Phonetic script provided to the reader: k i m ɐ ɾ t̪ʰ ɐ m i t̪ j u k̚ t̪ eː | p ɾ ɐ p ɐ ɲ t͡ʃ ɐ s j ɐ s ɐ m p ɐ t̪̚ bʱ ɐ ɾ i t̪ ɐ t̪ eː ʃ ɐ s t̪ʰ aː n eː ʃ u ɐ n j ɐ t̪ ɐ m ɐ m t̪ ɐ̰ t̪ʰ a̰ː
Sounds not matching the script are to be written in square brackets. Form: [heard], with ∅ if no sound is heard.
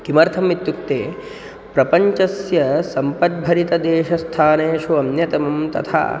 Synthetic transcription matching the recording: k i m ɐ ɾ t̪ʰ ɐ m i t̪ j u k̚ t̪ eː | p ɾ ɐ p ɐ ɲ t͡ʃ ɐ s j ɐ s ɐ m p ɐ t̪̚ bʱ ɐ ɾ i t̪ ɐ [d̪] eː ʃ ɐ s t̪ʰ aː n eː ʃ u ɐ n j ɐ t̪ ɐ m ɐ m t̪ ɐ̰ t̪ʰ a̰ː